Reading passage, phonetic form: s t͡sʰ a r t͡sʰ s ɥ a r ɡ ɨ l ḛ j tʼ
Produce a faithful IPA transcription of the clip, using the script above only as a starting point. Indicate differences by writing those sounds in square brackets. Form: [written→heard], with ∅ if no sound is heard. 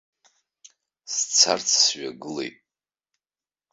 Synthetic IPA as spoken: s t͡sʰ a r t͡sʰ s ɥ a [r→∅] ɡ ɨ l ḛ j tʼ